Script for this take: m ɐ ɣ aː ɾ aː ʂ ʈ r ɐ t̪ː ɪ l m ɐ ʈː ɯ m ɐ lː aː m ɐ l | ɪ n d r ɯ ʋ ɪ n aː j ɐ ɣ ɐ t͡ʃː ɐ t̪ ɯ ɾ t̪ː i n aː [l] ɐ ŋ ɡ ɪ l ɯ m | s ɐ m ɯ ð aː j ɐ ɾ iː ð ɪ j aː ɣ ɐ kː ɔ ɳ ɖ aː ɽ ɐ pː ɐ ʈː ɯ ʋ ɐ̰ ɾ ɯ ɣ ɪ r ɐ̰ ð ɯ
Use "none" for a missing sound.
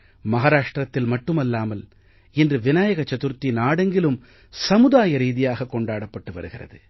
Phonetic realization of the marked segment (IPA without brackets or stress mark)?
ɽ